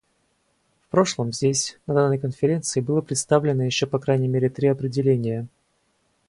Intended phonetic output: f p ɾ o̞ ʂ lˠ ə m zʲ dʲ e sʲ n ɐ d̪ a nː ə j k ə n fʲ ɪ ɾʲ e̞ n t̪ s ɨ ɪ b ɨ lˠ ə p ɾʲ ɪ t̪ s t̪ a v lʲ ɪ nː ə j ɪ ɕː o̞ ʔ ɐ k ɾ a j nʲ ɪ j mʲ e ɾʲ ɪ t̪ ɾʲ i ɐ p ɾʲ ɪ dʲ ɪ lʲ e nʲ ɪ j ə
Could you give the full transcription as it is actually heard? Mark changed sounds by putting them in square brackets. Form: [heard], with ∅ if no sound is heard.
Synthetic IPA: f p ɾ o̞ ʂ lˠ ə m zʲ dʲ e sʲ n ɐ d̪ a nː ə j k ə n fʲ ɪ ɾʲ e̞ n t̪ s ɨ ɪ b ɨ lˠ ə p ɾʲ ɪ t̪ s t̪ a v lʲ ɪ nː ə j ɪ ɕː o̞ [p] ɐ k ɾ a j nʲ ɪ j mʲ e ɾʲ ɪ t̪ ɾʲ i ɐ p ɾʲ ɪ dʲ ɪ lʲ e nʲ ɪ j ə